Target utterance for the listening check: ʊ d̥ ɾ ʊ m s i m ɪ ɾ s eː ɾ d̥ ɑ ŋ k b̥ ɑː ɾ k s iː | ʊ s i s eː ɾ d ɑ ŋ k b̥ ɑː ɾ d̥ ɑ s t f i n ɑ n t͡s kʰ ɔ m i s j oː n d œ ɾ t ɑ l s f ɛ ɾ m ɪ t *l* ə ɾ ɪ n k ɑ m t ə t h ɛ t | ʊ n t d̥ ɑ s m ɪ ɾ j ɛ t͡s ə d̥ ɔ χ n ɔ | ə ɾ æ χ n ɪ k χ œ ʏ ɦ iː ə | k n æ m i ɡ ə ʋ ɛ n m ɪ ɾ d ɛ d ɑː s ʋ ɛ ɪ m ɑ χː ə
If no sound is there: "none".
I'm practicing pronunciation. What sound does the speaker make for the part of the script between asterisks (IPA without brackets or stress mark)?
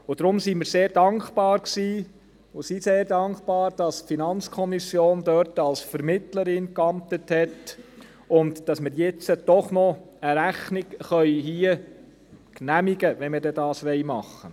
l